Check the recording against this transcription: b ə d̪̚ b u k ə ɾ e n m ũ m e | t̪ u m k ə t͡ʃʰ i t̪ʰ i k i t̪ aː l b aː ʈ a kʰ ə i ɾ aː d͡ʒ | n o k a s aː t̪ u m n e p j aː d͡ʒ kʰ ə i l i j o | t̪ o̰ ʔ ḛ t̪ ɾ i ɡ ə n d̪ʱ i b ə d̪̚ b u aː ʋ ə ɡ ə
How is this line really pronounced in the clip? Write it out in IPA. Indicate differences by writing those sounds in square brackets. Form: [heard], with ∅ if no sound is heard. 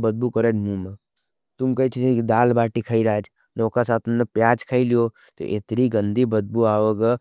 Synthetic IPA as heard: b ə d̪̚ b u k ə ɾ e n m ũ m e | t̪ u m k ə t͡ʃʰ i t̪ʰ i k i [d̪] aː l b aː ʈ [i] kʰ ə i ɾ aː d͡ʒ | n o k a s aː t̪ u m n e p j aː d͡ʒ kʰ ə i l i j o | t̪ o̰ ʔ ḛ t̪ ɾ i ɡ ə n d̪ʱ i b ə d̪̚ b u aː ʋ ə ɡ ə

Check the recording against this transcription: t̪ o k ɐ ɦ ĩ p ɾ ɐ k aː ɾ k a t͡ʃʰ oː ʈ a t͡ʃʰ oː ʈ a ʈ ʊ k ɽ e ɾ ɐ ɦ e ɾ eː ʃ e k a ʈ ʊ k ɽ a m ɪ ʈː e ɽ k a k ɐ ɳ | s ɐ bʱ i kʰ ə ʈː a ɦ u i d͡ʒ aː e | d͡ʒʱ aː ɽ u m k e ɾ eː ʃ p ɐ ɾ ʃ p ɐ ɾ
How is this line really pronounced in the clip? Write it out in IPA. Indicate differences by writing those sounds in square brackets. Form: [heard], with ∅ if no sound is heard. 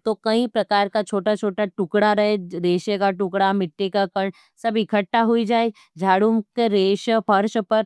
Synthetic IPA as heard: t̪ o k ɐ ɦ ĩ p ɾ ɐ k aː ɾ k a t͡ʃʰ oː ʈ a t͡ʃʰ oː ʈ a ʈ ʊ k ɽ [a] ɾ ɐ ɦ e ɾ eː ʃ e k a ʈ ʊ k ɽ a m ɪ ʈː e [∅] k a k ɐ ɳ | s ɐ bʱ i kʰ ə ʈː a ɦ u i d͡ʒ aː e | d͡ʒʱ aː ɽ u m k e ɾ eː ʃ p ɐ ɾ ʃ p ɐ ɾ

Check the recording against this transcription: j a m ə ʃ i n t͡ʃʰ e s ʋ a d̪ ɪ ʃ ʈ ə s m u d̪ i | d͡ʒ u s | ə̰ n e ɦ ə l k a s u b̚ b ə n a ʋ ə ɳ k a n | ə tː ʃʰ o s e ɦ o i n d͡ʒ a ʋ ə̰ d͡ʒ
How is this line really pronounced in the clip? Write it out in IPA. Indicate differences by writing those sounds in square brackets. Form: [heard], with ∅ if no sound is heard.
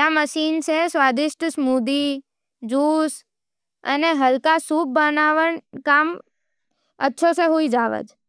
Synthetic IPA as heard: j a m ə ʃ i n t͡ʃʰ e s ʋ a d̪ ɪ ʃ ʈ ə s m u d̪ i | d͡ʒ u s | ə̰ n e ɦ ə l k a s u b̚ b ə n a ʋ ə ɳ k a [m] | ə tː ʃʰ o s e ɦ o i [∅] d͡ʒ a ʋ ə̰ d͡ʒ

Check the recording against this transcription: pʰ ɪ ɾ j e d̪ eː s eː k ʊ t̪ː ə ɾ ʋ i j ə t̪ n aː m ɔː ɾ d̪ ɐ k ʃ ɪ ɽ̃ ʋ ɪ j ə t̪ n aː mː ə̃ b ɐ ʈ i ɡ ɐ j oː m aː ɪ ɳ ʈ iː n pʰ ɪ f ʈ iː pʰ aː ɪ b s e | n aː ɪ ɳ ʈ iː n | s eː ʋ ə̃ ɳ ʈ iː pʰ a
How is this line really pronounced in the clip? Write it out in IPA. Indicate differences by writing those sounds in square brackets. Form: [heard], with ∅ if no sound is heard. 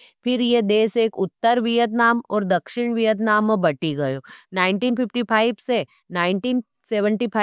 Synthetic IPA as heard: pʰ ɪ ɾ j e d̪ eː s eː k ʊ t̪ː ə ɾ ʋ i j ə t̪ n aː m ɔː ɾ d̪ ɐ k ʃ ɪ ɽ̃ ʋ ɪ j ə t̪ n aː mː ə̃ b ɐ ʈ i ɡ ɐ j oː [n] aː ɪ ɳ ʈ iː n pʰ ɪ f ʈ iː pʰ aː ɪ b s e | n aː ɪ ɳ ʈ iː n | s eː ʋ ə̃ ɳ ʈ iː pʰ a

